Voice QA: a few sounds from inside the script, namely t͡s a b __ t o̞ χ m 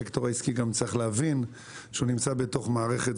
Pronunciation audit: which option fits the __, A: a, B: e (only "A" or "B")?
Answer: B